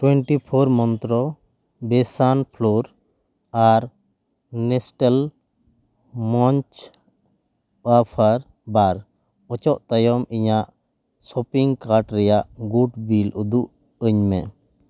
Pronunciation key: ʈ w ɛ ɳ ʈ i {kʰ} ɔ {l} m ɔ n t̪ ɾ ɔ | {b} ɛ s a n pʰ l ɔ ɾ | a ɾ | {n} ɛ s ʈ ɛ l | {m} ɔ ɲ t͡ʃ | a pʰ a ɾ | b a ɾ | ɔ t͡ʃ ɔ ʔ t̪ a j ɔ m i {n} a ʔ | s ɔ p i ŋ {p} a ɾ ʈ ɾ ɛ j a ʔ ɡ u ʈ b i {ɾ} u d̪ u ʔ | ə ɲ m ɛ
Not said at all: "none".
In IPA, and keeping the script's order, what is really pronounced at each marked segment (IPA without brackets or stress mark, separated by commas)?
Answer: pʰ, ɾ, b, n, m, ɲ, k, l